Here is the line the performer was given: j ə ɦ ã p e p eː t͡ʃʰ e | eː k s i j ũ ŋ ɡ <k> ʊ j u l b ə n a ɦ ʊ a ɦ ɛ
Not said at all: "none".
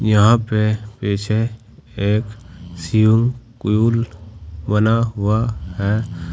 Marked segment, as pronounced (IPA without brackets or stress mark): k